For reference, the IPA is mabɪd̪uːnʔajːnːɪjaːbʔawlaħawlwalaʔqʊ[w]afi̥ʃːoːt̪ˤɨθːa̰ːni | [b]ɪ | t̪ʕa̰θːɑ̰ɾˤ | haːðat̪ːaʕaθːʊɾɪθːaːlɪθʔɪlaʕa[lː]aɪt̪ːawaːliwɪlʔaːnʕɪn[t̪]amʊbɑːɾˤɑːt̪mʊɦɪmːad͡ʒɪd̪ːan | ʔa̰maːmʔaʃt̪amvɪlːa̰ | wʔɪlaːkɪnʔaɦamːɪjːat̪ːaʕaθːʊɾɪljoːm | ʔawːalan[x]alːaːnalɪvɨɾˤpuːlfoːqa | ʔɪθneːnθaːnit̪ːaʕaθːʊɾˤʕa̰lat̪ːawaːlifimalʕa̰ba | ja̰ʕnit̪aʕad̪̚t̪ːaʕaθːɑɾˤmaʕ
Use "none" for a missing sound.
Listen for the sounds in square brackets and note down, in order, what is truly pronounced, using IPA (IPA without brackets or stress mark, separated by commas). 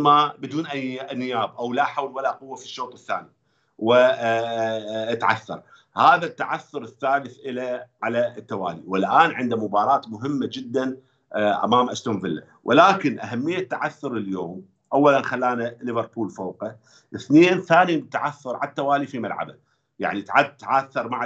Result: wː, w, l, d̪, x